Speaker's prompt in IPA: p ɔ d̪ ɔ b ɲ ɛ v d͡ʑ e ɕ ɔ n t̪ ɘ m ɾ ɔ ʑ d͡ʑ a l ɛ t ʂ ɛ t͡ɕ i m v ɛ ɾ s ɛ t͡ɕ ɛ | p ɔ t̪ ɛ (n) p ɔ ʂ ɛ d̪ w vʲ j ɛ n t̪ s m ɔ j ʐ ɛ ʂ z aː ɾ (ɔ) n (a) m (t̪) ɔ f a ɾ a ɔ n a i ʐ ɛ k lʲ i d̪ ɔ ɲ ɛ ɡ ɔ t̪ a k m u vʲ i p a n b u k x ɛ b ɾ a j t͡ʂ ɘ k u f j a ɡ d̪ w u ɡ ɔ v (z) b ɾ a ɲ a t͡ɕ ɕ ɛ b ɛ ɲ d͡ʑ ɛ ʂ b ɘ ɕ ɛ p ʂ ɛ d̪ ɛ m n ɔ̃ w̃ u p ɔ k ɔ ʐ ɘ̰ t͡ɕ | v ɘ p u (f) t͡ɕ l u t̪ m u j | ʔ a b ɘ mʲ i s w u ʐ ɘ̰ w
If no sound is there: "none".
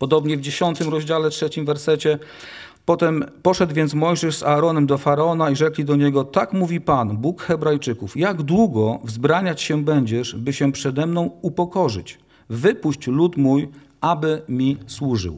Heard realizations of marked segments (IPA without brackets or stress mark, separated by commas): m, ɔ, ɛ, d̪, z, ɕ